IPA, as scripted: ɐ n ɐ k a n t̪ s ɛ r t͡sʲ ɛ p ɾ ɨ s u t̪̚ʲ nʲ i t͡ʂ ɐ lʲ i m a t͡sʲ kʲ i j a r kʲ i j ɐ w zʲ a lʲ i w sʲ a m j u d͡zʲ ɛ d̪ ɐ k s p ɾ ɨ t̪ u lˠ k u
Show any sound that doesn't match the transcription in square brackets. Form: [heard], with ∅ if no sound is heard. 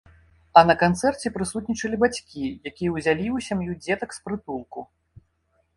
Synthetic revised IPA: ɐ n ɐ k a n t̪ s ɛ r t͡sʲ ɛ p ɾ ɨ s u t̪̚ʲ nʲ i t͡ʂ ɐ lʲ i [b] a t͡sʲ kʲ i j a [∅] kʲ i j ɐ w zʲ a lʲ i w sʲ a m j u d͡zʲ ɛ [t̪] ɐ k s p ɾ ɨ t̪ u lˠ k u